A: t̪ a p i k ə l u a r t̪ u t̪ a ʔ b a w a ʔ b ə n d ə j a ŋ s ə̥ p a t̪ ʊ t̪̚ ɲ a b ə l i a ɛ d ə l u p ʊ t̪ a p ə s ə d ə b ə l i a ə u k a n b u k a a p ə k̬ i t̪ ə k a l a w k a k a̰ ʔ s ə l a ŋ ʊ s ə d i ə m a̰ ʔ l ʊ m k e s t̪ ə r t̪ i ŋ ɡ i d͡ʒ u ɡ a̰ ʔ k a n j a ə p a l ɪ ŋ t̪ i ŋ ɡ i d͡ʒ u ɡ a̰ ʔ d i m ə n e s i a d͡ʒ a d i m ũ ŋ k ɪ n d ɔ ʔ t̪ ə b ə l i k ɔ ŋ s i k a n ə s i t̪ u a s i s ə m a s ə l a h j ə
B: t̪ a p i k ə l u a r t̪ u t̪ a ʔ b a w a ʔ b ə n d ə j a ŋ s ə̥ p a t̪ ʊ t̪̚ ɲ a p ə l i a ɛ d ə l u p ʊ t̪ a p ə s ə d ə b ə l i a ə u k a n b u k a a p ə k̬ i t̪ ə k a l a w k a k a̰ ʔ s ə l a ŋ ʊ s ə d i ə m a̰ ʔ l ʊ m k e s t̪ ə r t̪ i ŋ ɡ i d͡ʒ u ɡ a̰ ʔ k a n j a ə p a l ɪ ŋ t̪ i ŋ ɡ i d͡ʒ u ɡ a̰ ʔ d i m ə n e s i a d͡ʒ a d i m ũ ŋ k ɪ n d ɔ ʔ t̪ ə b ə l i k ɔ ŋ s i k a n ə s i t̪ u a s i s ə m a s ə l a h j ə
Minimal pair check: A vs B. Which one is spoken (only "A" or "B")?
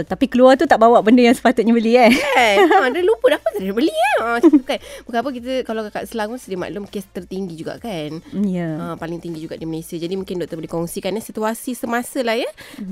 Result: A